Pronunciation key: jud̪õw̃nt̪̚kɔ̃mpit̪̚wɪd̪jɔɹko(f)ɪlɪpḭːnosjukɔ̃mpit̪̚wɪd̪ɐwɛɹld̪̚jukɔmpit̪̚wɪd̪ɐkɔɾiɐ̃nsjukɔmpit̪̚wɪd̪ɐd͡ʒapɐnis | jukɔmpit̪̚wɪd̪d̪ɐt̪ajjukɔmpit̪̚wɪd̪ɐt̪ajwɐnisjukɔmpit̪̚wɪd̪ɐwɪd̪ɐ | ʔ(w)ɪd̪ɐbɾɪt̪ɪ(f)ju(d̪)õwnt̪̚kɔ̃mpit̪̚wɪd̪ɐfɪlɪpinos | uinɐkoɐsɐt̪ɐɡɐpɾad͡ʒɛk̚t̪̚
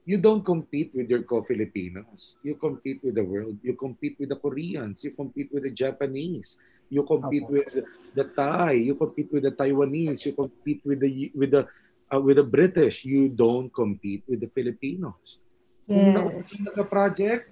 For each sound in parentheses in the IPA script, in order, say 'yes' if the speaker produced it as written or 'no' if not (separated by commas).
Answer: yes, yes, no, yes